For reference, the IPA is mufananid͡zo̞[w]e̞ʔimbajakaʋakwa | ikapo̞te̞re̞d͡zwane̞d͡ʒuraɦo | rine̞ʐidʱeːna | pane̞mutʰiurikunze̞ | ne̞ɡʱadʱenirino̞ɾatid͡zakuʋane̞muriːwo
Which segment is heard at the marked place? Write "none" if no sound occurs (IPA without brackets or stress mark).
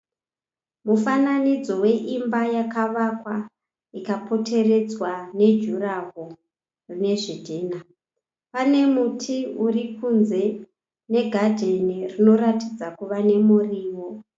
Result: w